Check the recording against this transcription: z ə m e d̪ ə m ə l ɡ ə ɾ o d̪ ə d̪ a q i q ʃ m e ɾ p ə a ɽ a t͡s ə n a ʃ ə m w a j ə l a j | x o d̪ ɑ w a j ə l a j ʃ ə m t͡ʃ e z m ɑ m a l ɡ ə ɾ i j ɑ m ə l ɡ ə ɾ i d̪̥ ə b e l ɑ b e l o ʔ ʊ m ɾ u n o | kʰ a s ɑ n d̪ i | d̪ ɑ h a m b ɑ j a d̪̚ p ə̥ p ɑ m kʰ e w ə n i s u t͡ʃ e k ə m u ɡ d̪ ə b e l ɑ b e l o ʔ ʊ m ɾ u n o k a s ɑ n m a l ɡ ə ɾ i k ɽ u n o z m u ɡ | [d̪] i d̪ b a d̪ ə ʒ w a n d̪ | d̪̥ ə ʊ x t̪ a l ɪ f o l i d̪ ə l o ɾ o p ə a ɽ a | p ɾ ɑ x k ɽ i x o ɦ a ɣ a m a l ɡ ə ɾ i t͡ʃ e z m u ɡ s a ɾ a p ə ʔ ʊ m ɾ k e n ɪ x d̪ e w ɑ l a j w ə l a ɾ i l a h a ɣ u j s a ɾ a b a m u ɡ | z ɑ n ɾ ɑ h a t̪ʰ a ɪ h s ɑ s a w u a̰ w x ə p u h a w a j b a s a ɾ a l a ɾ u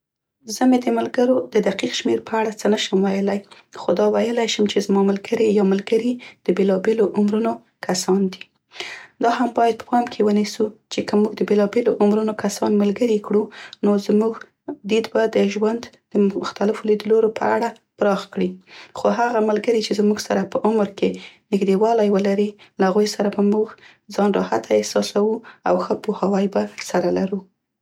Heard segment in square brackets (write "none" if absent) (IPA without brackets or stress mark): d̪